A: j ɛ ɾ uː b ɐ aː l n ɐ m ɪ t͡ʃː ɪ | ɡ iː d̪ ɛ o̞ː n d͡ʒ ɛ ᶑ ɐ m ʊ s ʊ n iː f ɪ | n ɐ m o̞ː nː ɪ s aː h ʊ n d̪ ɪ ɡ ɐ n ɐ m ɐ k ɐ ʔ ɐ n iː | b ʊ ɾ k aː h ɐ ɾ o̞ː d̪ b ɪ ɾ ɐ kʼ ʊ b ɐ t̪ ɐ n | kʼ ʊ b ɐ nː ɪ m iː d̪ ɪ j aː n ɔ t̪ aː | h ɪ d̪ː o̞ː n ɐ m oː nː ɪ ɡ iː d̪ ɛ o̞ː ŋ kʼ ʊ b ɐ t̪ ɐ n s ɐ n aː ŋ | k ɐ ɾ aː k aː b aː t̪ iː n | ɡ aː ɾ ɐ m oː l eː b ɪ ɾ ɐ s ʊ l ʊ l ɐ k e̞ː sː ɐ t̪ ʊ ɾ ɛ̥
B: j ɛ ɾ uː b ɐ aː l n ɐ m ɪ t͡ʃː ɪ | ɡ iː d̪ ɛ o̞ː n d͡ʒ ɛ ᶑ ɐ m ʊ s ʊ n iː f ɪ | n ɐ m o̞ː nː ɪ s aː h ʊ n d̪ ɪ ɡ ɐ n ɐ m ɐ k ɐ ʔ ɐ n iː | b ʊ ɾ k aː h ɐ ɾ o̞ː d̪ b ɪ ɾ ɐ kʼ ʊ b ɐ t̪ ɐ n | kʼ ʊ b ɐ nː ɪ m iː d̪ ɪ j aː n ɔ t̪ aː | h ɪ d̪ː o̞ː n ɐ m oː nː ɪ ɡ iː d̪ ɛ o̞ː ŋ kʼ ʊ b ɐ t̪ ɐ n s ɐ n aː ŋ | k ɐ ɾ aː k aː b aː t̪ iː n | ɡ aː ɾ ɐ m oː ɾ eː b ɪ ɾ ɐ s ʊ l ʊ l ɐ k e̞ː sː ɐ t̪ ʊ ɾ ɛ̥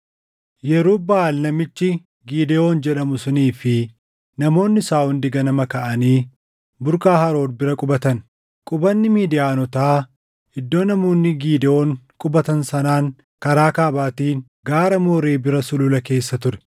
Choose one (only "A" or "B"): B